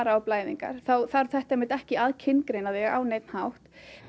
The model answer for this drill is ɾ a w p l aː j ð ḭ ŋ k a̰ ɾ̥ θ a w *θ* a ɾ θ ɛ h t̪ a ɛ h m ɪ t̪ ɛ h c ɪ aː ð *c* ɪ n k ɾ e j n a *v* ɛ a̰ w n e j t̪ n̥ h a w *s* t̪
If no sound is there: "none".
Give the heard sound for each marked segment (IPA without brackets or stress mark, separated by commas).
θ, cʰ, ð, h